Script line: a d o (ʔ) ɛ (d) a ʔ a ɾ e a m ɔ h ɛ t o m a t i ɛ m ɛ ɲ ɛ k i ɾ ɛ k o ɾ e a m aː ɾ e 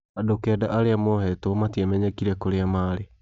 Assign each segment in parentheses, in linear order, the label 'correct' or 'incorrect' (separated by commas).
incorrect, correct